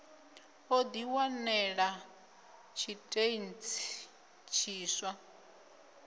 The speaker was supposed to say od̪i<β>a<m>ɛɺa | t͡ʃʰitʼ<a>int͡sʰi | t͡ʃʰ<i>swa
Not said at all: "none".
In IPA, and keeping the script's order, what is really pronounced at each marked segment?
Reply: w, n, e, iː

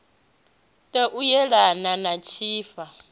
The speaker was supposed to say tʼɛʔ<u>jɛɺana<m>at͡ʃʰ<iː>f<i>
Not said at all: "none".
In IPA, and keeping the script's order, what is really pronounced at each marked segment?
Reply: u, n, iː, a

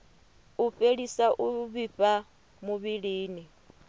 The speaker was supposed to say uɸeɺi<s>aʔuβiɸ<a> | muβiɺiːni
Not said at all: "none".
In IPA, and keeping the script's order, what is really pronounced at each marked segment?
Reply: s, a

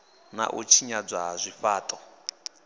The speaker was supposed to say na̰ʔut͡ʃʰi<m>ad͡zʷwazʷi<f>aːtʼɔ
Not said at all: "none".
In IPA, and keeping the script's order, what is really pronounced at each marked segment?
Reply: ɲ, f

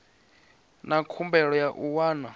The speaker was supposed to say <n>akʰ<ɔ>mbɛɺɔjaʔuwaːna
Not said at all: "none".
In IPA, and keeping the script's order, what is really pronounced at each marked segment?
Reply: n, u

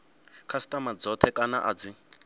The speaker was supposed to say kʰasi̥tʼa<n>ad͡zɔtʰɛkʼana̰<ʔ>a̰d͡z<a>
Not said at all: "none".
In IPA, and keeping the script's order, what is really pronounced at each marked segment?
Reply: m, ʔ, i

